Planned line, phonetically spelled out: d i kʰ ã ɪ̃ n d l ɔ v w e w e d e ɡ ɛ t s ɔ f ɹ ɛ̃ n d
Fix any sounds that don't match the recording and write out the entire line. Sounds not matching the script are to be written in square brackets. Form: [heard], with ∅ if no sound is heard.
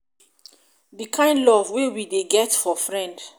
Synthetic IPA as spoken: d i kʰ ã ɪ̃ n d l ɔ v w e w [i] d e ɡ ɛ t [f] ɔ f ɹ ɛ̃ n d

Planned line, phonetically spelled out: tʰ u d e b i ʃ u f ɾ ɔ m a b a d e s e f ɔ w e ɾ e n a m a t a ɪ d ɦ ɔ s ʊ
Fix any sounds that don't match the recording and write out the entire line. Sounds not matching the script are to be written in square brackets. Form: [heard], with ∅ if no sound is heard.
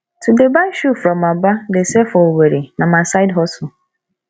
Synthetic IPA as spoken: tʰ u d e b [a] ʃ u f ɾ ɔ m a b a d e s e f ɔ w e ɾ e n a m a [s] a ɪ d ɦ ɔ s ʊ

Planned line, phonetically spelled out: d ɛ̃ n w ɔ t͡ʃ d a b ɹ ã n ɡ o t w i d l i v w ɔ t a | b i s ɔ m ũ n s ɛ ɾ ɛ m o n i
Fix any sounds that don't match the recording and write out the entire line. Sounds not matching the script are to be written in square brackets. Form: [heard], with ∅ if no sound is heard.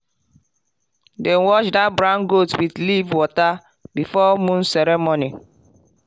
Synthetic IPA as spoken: d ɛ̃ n w ɔ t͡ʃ d a b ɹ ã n ɡ o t w i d l i v w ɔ t a | b i [f] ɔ m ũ n s ɛ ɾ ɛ m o n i

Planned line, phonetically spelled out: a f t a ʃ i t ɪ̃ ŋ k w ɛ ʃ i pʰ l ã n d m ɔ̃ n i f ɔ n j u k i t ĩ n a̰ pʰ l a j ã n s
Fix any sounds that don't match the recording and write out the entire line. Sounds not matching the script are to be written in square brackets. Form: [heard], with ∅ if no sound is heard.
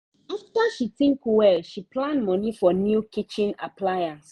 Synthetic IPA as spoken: a f t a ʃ i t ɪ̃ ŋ k w ɛ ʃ i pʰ l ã n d m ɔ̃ n i f ɔ n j u k i [t͡ʃ] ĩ n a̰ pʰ l a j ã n s

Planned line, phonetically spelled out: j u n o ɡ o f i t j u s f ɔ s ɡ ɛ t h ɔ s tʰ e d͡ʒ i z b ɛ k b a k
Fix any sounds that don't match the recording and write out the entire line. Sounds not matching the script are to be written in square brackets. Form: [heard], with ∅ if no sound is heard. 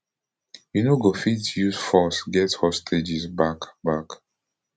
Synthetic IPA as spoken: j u n o ɡ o f i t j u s f ɔ s ɡ ɛ t h ɔ s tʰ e d͡ʒ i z b [a] k b a k

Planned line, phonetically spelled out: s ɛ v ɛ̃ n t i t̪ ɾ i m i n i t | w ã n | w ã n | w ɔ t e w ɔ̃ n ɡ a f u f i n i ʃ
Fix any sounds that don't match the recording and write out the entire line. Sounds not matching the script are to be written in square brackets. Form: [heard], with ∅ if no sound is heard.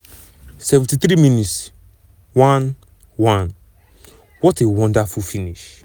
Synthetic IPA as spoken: s ɛ v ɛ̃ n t i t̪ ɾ i m i n i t | w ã n | w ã n | w ɔ t e w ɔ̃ n [d] a f u f i n i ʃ

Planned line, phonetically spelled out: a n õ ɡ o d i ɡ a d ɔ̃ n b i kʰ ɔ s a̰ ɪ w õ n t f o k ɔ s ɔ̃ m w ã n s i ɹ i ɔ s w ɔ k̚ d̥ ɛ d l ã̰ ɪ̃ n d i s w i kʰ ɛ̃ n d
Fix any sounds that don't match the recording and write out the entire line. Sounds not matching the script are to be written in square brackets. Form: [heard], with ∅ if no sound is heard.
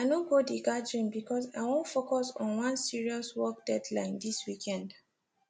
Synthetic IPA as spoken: a n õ ɡ o d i ɡ a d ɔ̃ n b i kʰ ɔ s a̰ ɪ w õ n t f o k ɔ s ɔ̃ [n] w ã n s i ɹ i ɔ s w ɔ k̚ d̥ ɛ d l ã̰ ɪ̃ n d i s w i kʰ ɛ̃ n d

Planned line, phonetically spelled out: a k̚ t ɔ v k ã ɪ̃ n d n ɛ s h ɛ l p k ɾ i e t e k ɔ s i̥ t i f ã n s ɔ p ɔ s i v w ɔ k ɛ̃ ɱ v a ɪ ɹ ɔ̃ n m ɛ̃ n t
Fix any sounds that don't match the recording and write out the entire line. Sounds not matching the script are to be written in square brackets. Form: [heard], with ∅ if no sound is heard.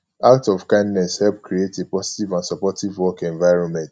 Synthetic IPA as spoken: a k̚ t ɔ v k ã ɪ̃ n d n ɛ s h ɛ l p k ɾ i e t e [p] ɔ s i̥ t i [v] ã n s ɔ p ɔ [t] i v w ɔ k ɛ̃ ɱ v a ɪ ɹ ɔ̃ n m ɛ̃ n t

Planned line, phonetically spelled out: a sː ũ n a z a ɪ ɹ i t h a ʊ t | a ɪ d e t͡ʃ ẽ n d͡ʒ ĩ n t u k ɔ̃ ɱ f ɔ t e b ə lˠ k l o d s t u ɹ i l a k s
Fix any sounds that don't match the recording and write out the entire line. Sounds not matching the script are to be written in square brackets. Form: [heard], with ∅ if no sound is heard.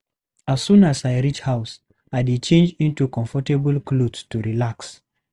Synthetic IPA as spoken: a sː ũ n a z a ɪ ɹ i [t͡ʃ] h a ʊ [s] | a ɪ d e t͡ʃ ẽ n d͡ʒ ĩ n t u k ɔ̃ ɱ f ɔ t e b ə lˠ k l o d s t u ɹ i l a k s

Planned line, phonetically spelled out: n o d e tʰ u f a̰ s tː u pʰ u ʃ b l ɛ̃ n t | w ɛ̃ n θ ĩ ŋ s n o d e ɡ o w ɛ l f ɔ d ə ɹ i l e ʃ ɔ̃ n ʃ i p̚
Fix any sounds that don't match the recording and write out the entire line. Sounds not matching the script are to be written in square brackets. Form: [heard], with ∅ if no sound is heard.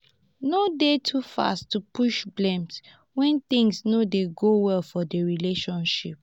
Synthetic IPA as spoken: n o d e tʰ u f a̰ s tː u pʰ u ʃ b l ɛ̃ [m] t | w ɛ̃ n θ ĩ ŋ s n o d e ɡ o w ɛ l f ɔ d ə ɹ i l e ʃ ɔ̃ n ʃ i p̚

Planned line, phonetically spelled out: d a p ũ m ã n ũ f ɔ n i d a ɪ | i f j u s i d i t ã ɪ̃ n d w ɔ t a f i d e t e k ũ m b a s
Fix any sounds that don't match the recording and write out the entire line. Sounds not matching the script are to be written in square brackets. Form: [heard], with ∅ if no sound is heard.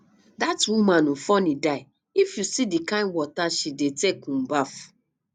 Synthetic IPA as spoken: d a [t] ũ m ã n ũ f ɔ n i d a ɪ | i f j u s i d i [k] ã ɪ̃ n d w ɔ t a [ʃ] i d e t e k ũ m b a [f]

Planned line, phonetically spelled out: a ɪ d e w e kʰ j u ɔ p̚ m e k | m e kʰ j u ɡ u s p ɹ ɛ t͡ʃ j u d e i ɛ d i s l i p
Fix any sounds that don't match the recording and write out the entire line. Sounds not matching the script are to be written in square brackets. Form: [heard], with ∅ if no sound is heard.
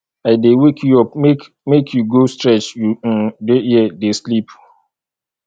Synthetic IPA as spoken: a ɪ d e w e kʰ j u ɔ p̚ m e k | m e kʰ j u ɡ [o] s [t] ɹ ɛ t͡ʃ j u d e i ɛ d [e] s l i p

